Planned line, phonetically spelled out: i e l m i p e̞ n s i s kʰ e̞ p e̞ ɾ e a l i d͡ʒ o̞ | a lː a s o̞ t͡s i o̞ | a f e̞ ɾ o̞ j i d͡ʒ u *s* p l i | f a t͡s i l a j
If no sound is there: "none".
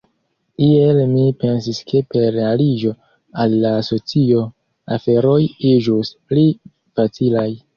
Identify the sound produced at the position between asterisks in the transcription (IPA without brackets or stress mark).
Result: s